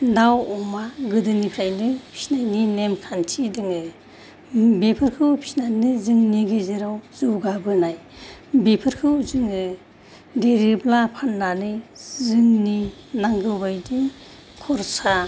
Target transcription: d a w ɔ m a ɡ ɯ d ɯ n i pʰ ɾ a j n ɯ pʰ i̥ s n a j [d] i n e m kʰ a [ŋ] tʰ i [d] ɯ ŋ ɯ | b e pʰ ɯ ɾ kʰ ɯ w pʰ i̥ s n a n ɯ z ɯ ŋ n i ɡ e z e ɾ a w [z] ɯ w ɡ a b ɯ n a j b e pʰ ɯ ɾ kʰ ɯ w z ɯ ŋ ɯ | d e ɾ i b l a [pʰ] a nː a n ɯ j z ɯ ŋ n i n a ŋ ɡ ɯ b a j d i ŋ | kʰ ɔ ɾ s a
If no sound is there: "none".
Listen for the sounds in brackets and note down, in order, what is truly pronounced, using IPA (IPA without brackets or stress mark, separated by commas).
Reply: n, n, d, z, pʰ